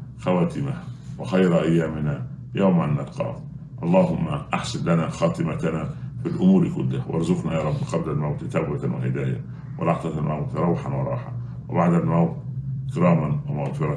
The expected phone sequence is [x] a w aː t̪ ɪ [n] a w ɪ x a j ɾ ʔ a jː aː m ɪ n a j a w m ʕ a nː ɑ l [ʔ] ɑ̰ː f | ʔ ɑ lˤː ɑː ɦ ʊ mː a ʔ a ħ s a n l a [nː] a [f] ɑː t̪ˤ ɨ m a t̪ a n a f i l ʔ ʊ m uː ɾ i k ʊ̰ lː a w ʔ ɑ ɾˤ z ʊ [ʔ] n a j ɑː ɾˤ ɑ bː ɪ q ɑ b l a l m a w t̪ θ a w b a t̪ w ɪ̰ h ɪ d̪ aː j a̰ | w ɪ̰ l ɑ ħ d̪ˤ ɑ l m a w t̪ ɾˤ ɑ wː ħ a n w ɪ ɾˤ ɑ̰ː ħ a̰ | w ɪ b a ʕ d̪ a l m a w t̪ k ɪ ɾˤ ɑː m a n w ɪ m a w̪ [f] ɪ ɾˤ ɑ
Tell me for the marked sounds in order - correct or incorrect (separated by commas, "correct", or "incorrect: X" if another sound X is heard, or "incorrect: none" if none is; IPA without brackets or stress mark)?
correct, incorrect: m, incorrect: q, incorrect: n, incorrect: x, incorrect: q, correct